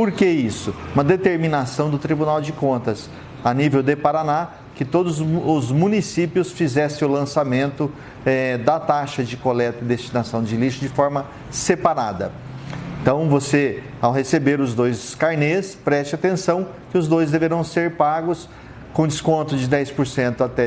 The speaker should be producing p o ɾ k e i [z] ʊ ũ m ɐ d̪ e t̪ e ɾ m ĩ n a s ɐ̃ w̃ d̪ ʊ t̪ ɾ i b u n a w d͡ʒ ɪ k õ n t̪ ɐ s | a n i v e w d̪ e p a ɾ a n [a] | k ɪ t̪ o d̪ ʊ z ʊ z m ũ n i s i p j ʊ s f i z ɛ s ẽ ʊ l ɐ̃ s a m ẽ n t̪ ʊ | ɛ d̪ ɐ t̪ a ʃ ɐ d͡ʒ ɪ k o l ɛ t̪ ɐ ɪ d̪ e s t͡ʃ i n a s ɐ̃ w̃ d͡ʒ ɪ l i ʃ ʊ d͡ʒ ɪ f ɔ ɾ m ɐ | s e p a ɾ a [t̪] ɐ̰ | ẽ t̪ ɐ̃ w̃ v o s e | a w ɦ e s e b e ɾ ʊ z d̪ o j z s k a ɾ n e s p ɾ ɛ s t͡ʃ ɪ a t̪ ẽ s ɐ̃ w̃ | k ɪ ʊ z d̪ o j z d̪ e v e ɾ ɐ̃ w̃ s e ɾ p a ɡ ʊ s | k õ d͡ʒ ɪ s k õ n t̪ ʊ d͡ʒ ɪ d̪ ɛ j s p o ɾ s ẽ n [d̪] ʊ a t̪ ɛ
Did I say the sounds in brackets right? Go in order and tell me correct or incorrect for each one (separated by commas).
incorrect, correct, incorrect, incorrect